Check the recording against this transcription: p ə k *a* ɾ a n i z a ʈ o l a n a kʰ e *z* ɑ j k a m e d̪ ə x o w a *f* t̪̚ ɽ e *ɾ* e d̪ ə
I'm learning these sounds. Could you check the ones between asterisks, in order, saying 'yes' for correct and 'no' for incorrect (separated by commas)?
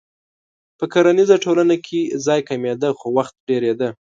yes, yes, no, yes